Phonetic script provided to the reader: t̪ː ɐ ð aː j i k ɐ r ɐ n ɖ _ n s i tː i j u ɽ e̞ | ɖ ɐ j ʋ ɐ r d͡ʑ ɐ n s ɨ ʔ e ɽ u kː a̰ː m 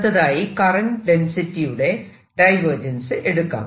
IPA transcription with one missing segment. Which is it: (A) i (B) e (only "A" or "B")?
B